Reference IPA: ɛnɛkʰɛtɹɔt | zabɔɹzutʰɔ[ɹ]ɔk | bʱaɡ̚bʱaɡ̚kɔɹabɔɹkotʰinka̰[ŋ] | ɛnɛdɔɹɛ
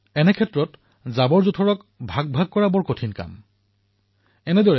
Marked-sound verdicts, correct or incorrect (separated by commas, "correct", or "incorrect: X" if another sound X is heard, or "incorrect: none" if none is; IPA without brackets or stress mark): correct, incorrect: m